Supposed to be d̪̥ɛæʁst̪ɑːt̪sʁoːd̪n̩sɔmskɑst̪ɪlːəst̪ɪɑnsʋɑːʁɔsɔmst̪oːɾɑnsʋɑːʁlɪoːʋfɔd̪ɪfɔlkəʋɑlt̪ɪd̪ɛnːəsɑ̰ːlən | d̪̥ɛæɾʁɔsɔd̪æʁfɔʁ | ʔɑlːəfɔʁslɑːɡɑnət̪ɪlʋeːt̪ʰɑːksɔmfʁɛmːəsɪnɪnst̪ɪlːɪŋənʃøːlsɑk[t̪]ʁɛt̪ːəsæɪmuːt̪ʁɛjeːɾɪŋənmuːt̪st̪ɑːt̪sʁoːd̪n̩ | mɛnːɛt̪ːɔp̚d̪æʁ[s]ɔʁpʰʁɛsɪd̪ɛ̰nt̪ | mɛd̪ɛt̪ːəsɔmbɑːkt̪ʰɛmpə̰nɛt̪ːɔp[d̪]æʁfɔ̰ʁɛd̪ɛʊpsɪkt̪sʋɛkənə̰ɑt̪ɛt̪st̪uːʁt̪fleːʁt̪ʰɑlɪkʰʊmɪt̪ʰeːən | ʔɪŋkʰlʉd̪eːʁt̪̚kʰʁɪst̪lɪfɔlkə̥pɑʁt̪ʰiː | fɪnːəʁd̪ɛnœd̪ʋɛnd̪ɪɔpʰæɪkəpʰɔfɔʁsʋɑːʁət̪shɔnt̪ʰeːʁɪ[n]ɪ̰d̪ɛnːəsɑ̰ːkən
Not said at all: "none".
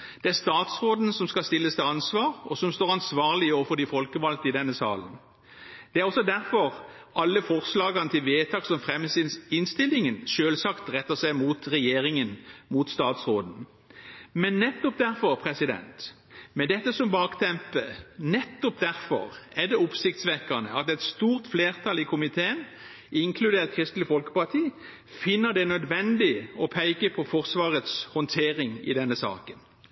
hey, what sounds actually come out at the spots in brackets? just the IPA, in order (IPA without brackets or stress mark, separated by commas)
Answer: t̪, f, d̪, ŋ